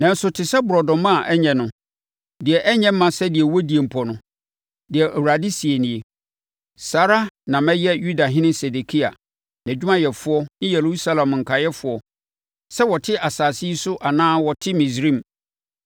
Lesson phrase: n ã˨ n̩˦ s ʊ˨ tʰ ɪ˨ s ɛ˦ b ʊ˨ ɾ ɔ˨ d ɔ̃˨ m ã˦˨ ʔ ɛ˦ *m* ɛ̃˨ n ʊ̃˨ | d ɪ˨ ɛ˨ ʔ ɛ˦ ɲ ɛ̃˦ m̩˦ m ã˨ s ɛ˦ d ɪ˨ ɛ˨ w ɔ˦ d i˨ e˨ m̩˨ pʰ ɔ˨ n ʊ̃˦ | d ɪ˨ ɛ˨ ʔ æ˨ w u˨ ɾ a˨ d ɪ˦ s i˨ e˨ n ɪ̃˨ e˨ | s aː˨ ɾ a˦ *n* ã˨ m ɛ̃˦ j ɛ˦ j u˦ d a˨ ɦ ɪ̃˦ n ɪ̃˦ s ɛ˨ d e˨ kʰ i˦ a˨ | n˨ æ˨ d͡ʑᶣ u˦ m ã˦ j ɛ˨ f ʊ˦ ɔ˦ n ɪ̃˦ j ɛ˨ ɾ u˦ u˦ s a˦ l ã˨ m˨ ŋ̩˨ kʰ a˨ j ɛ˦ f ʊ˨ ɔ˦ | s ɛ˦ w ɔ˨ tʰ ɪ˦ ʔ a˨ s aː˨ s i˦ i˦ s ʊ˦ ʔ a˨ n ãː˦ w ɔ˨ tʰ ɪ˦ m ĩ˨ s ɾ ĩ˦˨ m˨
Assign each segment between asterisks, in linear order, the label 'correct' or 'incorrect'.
incorrect: ɲ, correct

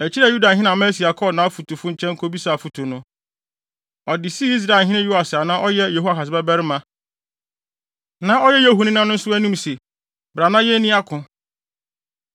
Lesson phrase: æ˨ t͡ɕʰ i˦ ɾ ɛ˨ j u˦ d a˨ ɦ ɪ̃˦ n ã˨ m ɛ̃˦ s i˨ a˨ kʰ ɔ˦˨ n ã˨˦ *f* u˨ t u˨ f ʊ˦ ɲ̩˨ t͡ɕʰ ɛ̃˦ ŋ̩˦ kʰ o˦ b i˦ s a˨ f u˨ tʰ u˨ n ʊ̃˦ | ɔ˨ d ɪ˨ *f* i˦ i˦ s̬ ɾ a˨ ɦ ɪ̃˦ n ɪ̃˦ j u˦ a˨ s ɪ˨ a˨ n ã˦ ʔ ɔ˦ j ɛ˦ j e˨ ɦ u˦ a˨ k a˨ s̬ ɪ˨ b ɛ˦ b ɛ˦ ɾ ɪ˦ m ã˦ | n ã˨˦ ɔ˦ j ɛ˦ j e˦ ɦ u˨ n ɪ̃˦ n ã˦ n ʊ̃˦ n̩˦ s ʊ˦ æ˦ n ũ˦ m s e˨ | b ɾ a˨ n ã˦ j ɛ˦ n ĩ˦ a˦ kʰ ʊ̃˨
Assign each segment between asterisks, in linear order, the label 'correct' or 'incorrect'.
correct, incorrect: s

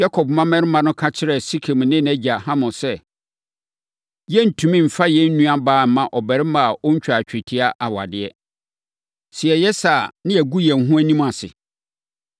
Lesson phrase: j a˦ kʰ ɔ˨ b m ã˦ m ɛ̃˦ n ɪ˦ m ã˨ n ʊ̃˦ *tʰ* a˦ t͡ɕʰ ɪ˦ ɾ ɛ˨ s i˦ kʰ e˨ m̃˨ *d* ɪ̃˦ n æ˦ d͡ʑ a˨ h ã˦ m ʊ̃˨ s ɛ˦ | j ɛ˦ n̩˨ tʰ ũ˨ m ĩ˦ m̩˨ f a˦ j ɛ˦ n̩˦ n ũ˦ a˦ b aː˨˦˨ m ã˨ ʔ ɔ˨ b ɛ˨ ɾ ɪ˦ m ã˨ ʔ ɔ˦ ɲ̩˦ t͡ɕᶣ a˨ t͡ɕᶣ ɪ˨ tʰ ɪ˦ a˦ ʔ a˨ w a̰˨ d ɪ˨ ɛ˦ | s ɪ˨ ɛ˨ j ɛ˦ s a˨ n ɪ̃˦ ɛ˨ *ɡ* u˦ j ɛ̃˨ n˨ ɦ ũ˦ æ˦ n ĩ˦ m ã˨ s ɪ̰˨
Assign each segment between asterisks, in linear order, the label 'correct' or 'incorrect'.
incorrect: kʰ, incorrect: n, correct

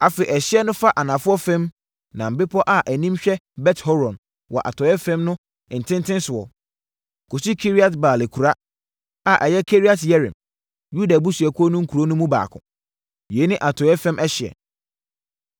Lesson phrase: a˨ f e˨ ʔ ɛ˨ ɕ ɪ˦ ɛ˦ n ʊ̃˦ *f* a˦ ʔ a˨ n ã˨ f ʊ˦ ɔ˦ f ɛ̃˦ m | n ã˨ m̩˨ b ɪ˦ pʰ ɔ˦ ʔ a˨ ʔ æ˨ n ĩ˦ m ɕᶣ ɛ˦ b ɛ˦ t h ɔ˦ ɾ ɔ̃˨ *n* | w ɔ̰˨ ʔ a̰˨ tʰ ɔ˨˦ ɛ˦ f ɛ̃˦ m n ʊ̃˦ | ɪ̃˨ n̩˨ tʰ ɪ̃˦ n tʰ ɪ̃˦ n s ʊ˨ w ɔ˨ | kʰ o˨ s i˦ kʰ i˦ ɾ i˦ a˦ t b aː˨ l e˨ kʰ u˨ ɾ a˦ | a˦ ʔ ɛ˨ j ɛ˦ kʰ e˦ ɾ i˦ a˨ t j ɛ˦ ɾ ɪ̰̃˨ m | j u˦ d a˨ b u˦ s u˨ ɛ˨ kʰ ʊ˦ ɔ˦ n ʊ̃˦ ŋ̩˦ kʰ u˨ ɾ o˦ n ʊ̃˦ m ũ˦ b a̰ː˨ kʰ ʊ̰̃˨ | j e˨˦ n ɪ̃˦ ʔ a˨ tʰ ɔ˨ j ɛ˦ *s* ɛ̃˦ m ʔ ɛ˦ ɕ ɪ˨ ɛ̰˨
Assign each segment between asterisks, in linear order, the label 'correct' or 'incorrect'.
correct, correct, incorrect: f

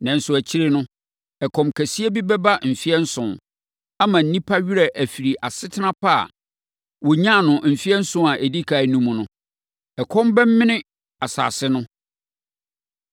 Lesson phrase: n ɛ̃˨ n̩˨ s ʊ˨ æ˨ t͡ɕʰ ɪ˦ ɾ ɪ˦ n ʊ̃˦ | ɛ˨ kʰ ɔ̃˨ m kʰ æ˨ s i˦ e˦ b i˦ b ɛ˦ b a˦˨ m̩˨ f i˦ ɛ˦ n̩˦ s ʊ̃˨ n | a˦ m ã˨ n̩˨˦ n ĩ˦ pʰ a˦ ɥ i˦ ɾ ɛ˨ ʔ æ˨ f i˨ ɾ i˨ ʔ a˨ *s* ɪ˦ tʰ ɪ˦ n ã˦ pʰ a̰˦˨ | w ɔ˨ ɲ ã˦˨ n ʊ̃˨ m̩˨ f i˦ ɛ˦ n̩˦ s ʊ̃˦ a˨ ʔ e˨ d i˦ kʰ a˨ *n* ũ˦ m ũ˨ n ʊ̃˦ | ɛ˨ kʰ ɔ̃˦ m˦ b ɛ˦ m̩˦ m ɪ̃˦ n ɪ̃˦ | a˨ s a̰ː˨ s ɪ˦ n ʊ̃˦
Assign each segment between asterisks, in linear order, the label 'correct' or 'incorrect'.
correct, correct

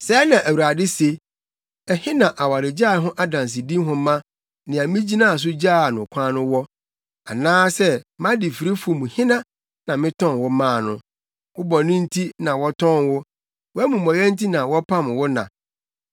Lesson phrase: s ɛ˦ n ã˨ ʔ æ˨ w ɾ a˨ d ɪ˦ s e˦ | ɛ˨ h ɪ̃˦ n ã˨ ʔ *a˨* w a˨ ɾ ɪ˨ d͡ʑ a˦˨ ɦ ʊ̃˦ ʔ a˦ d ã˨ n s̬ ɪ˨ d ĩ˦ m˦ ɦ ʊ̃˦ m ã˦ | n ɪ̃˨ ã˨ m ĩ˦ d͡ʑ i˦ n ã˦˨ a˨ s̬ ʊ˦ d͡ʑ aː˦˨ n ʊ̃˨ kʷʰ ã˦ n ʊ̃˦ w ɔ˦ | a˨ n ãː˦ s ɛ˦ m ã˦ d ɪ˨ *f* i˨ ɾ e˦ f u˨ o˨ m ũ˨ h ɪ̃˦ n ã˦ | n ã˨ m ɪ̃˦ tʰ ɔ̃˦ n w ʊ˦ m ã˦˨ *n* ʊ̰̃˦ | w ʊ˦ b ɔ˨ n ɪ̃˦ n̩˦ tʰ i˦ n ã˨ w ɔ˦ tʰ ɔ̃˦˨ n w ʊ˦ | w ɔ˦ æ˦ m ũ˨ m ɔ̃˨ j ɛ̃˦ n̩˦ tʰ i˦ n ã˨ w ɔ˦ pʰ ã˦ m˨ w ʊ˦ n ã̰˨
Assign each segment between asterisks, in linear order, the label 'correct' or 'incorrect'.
correct, correct, correct

